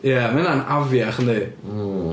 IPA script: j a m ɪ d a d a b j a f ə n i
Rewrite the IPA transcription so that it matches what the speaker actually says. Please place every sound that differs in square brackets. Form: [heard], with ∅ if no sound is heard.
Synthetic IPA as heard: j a m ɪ [n] a [n] a [v] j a [χ] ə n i